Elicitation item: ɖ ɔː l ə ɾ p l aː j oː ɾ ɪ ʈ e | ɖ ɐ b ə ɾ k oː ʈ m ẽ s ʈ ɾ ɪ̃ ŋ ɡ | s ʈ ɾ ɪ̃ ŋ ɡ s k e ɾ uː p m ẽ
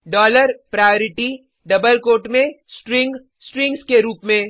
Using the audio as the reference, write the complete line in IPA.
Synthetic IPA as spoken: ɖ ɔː l ə ɾ p ɾ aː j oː ɾ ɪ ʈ i | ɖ ɐ b ə l k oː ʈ m ẽ s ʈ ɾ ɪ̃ ŋ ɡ | s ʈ ɾ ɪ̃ ŋ ɡ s k e ɾ uː p m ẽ